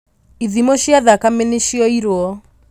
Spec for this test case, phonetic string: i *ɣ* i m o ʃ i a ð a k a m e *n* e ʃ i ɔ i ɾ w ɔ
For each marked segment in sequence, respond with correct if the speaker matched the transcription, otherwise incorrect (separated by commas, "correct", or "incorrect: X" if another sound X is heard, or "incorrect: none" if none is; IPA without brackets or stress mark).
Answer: incorrect: ð, correct